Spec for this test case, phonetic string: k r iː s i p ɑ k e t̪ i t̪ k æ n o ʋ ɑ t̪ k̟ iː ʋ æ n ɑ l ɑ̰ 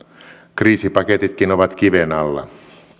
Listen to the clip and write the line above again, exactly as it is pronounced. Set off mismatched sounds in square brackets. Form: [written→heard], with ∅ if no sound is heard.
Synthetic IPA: k r iː s i p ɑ k e t̪ i t̪ k [æ→i] n o ʋ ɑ t̪ k̟ [iː→i] ʋ [æ→e] n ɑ [l→lː] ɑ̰